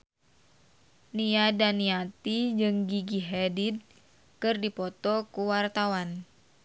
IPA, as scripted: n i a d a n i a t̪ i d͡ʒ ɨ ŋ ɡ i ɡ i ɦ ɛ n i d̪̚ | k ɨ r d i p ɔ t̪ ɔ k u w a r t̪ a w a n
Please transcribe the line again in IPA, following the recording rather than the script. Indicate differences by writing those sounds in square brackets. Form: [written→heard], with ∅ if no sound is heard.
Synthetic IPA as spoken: n i a d a n i a t̪ i d͡ʒ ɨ ŋ ɡ i ɡ i ɦ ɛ [n→d] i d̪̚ | k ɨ r d i p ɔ t̪ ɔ k u w a r t̪ a w a n